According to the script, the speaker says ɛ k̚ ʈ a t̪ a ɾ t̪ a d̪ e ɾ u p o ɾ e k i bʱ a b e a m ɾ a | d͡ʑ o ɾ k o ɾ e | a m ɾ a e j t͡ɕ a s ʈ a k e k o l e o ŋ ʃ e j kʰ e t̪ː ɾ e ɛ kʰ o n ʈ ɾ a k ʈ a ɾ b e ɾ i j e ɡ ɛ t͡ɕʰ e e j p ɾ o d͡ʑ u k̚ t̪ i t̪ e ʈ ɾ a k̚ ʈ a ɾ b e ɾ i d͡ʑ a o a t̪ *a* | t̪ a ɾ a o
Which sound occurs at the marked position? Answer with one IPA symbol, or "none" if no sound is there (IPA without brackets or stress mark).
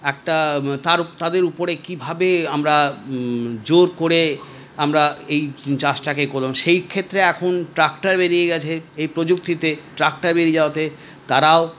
e